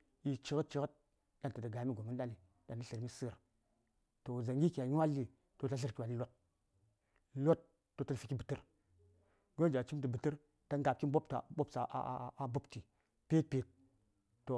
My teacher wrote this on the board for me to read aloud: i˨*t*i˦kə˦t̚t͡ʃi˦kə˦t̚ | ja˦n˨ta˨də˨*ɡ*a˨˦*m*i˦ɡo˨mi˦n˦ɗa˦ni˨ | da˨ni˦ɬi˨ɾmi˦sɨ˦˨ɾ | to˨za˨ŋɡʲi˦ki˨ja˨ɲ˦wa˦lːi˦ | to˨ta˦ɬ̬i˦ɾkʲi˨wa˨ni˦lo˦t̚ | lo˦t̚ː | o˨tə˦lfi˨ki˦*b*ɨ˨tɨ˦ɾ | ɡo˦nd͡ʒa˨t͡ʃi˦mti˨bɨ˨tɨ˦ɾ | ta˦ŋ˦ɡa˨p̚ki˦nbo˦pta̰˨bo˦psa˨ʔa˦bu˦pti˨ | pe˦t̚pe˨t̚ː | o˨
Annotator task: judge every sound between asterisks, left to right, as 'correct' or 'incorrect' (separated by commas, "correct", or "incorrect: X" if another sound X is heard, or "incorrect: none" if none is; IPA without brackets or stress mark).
incorrect: t͡ʃ, correct, correct, correct